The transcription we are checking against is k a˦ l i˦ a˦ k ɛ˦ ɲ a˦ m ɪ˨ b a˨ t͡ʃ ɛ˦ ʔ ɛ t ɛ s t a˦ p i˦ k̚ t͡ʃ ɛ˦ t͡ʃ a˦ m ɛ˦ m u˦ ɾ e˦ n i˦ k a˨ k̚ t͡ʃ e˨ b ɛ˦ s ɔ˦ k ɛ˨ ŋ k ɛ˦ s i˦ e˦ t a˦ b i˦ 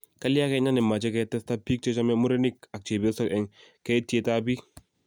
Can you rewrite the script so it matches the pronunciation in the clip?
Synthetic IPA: k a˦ l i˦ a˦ k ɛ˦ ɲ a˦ n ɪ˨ m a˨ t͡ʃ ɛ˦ k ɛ t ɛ s t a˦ p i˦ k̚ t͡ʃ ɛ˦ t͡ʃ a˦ m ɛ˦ m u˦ ɾ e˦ n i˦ k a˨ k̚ t͡ʃ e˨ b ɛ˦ s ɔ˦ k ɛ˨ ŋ k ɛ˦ t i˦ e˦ t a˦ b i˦